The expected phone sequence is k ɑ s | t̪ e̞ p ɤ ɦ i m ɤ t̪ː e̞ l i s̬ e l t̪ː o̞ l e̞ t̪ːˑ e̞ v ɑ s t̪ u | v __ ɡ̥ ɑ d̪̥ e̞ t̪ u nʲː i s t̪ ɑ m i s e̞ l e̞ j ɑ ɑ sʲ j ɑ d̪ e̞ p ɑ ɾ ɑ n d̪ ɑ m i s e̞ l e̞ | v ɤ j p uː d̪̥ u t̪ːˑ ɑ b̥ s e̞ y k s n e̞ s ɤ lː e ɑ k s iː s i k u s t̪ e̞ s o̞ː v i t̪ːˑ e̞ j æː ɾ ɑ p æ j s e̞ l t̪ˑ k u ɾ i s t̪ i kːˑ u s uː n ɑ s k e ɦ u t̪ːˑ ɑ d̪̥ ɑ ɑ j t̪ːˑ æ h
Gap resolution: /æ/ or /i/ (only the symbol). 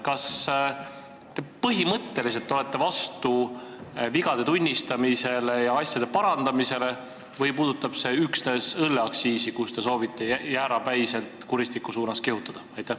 i